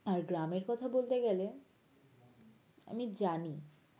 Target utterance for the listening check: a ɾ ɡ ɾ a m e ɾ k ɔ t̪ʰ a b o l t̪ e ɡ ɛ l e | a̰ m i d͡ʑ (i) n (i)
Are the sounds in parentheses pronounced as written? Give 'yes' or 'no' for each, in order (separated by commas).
no, yes